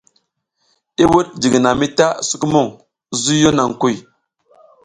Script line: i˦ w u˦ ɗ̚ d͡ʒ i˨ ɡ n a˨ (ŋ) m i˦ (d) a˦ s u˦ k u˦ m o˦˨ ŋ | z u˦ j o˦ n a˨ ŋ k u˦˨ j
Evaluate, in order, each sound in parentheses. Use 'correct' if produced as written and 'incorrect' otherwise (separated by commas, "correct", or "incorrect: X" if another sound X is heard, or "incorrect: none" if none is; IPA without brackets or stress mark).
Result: incorrect: none, incorrect: t